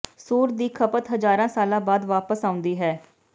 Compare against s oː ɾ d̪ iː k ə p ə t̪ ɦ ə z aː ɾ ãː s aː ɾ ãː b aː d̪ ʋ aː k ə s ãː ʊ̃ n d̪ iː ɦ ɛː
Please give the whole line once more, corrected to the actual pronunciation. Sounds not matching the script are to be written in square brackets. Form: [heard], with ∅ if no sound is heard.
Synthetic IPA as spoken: s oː ɾ d̪ iː [kʰ] ə p ə t̪ ɦ ə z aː ɾ ãː s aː [l] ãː b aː d̪ ʋ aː [p] ə s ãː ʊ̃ n d̪ iː ɦ ɛː